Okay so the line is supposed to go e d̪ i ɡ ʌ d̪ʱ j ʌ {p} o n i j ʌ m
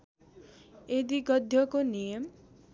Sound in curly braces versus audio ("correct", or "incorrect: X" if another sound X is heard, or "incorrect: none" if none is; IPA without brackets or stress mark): incorrect: k